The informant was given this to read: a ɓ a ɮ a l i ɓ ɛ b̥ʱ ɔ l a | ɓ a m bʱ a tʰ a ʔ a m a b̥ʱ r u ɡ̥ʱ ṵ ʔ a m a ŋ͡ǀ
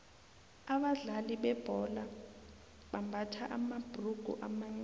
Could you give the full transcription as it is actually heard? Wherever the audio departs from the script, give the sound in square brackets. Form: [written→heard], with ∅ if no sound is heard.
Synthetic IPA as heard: a ɓ a ɮ a l i ɓ ɛ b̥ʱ ɔ l a | ɓ a m bʱ a tʰ a ʔ a m a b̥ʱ r u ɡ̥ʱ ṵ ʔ a m a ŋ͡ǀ